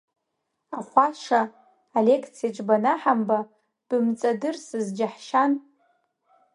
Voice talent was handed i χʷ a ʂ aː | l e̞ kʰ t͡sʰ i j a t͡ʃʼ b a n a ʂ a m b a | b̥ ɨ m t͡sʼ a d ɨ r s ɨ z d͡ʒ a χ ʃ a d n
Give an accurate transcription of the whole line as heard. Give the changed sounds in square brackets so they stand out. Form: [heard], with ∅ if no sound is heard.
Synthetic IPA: [a] χʷ a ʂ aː | l e̞ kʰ t͡sʰ i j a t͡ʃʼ b a n a [ħ] a m b a | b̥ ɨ m t͡sʼ a d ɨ r s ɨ z d͡ʒ a [ħ] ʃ a [∅] n